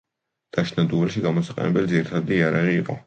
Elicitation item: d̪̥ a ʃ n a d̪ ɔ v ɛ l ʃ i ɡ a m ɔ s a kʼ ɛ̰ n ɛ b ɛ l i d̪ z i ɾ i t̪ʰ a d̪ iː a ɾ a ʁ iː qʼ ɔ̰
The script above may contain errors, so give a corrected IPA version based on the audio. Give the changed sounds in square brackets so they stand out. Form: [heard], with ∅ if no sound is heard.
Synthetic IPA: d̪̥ a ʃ n a d̪ [u] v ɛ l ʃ i ɡ a m ɔ s a [qʼ] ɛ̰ n ɛ b ɛ l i d̪ z i ɾ i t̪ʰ a d̪ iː a ɾ a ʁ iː qʼ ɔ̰